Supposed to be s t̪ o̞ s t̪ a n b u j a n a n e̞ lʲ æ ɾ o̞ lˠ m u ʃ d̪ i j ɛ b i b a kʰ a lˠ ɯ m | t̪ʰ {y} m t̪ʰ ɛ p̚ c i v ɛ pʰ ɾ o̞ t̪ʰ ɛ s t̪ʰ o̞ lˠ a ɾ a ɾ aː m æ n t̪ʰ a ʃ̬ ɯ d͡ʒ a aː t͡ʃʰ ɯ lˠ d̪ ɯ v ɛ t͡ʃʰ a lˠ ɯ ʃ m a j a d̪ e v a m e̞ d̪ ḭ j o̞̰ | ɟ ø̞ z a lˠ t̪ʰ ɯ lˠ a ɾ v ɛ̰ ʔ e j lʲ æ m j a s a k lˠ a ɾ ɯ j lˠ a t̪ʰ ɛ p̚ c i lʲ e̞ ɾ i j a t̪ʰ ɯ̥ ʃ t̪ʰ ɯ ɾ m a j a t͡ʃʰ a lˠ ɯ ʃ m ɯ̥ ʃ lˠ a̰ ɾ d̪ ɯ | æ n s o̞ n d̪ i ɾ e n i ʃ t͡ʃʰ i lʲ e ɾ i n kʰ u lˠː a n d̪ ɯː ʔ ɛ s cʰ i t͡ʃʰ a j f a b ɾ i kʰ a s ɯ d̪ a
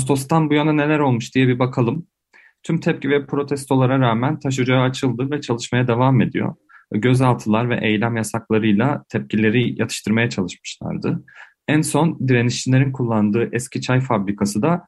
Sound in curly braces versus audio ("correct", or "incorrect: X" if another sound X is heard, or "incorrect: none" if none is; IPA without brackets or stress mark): correct